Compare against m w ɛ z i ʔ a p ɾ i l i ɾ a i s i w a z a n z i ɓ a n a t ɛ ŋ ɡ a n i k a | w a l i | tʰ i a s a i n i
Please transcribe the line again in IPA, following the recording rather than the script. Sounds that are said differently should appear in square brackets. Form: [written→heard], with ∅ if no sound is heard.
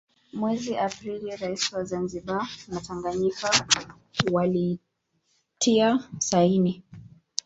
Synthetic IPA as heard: m w ɛ z i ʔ a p ɾ i l i ɾ a i s i w a z a n z i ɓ a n a t [ɛ→a] ŋ ɡ a [n→ɲ] i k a | w a l i | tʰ i a s a i n i